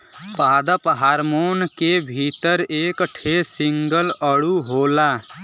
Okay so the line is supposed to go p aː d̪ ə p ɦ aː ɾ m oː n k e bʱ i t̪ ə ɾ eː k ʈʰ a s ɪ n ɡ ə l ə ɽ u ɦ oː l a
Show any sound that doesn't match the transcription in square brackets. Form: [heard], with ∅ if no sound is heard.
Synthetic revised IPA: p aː d̪ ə p ɦ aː ɾ m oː n k e bʱ i t̪ ə ɾ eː k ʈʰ [e] s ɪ [ŋ] ɡ ə l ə ɽ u ɦ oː l a